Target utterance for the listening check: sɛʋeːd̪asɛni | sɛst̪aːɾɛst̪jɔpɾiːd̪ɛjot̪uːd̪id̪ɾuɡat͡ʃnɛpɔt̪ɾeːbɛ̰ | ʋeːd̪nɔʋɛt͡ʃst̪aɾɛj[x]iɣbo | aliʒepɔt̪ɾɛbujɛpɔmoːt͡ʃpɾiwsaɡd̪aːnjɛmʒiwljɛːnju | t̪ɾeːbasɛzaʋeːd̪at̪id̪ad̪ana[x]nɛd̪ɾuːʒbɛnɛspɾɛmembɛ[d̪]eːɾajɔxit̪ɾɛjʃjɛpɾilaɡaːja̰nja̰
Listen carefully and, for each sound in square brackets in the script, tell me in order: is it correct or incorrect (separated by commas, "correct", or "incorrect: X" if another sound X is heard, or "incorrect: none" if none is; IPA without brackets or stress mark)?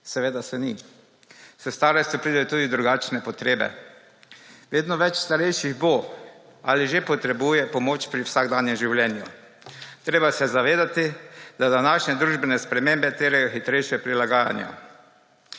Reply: incorrect: ʃ, incorrect: ʃ, incorrect: t̪